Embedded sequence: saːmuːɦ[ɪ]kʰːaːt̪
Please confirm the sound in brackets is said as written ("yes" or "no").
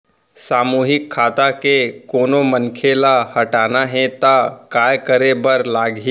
yes